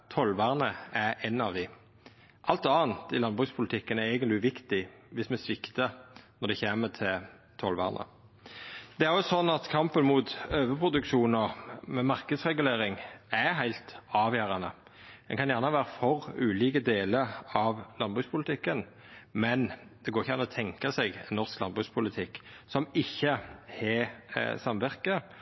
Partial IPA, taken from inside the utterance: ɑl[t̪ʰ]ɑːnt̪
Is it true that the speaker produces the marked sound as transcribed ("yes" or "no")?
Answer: no